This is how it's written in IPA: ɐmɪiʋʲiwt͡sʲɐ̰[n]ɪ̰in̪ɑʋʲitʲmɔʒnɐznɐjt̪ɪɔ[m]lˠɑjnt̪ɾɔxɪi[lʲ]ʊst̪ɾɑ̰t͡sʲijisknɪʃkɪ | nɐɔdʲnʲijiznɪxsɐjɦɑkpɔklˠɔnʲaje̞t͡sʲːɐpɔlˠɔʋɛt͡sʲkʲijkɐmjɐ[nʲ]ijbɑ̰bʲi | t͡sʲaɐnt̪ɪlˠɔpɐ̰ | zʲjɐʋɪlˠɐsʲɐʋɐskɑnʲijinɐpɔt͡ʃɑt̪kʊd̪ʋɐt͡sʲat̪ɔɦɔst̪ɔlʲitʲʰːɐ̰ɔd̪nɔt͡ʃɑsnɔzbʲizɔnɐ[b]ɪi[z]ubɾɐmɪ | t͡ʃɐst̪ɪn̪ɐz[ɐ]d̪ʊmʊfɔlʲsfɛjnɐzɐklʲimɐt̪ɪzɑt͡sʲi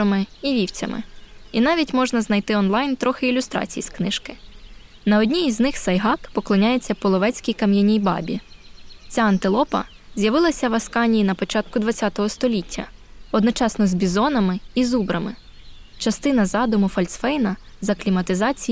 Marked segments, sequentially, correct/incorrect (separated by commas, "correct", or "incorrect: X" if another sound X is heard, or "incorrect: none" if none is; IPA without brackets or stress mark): incorrect: m, incorrect: n, correct, correct, incorrect: m, correct, incorrect: ɑ